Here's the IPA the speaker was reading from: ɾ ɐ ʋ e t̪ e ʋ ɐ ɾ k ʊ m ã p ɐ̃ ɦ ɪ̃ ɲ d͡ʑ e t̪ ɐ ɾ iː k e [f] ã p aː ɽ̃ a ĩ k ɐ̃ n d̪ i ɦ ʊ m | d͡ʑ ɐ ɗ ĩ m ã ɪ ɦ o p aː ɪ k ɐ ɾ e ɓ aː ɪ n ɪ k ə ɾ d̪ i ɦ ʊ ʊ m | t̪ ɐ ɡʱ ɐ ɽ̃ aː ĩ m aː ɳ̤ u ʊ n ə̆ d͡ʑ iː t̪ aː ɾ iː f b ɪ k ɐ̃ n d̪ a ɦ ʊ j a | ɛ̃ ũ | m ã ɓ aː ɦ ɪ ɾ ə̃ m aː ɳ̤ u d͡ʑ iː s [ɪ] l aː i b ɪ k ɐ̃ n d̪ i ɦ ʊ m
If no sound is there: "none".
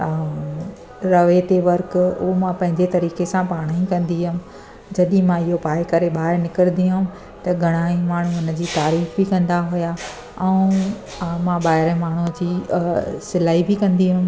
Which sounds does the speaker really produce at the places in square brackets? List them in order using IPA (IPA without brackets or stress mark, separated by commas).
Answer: s, ɪ